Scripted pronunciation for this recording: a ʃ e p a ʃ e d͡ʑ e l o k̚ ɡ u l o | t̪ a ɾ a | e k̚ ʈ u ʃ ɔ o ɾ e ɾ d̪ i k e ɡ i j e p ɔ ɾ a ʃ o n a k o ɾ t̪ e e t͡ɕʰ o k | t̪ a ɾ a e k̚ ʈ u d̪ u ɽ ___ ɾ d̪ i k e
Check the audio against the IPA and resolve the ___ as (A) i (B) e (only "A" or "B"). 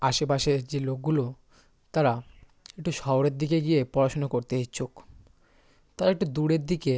B